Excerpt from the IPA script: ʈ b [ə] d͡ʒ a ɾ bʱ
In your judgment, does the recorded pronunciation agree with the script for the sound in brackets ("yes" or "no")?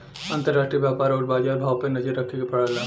no